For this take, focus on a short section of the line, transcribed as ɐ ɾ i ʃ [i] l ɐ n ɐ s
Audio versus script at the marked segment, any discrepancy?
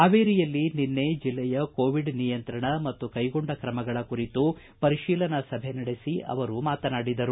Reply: yes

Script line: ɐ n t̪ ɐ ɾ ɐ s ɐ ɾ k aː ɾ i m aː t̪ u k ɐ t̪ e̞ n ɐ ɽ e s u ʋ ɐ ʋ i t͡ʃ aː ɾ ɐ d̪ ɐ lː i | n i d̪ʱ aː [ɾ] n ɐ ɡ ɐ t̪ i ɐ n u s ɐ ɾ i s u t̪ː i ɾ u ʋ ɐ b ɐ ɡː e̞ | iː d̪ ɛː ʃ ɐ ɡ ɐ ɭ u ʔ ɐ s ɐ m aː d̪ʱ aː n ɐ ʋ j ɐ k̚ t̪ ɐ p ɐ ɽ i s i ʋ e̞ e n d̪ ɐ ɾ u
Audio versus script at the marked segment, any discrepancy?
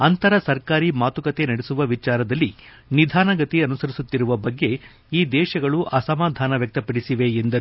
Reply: yes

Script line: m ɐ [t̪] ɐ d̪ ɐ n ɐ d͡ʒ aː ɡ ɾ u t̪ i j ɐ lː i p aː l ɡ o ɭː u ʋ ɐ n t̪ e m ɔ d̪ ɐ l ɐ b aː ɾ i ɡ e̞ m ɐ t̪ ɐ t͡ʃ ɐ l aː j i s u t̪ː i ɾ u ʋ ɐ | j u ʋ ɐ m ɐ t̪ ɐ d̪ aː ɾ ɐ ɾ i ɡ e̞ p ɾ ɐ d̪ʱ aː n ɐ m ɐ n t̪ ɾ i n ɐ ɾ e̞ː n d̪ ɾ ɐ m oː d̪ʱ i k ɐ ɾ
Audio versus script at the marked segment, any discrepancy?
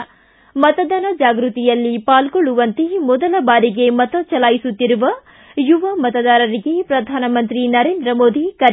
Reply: no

